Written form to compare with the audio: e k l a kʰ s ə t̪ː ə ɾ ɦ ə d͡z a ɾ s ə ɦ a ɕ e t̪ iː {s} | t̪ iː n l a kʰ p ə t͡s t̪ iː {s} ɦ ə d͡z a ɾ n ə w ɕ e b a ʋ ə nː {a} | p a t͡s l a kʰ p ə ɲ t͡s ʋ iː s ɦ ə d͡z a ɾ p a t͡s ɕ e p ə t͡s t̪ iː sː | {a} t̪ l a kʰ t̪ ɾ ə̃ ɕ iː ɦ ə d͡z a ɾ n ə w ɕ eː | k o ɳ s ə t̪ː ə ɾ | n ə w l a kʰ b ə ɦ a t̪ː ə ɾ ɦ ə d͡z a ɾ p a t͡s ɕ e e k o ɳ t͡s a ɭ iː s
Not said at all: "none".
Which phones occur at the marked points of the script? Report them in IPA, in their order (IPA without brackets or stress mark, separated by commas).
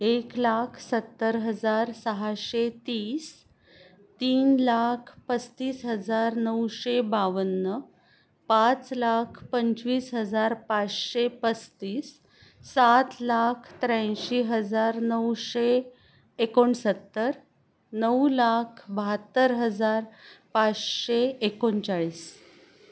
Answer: s, s, ə, a